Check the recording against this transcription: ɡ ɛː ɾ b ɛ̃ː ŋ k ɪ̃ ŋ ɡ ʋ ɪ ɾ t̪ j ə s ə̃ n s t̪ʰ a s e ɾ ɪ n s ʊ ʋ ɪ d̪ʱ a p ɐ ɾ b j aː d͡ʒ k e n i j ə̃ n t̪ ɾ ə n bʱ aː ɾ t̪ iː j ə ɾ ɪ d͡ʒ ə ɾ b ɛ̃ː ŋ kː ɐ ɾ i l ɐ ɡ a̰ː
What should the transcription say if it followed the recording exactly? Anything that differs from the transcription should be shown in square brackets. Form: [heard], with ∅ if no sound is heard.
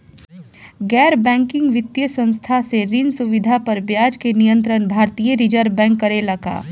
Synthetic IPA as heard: ɡ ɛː ɾ b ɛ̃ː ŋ k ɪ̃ ŋ ɡ ʋ ɪ [∅] t̪ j ə s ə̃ n s t̪ʰ a s e ɾ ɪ n s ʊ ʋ ɪ d̪ʱ a p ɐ ɾ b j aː d͡ʒ k e n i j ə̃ n t̪ ɾ ə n bʱ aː ɾ t̪ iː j ə ɾ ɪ d͡ʒ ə ɾ b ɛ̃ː ŋ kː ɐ ɾ [e] l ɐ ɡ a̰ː